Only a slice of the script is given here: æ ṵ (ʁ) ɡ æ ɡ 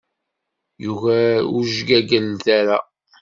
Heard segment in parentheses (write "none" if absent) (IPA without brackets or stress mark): ʒ